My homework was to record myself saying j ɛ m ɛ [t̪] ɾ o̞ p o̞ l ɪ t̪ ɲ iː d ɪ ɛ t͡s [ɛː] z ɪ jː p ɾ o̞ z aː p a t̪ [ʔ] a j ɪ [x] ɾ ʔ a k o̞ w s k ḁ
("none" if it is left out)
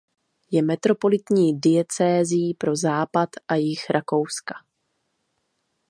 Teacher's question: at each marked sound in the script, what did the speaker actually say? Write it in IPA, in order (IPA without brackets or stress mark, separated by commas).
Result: t̪, ɛː, ʔ, x